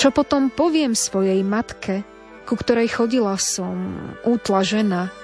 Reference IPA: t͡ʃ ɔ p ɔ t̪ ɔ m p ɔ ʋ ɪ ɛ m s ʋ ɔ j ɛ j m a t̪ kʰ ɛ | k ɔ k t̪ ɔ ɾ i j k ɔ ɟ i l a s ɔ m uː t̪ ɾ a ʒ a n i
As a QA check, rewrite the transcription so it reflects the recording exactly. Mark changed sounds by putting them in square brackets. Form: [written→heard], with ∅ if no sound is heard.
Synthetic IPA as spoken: t͡ʃ ɔ p ɔ t̪ ɔ m p ɔ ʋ ɪ ɛ m s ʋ ɔ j ɛ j m a t̪ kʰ ɛ | k [ɔ→u] k t̪ ɔ ɾ [i→ɛ] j [k→x] ɔ ɟ i l a s ɔ m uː t̪ [ɾ→l] a ʒ [a→ɛ] n [i→a]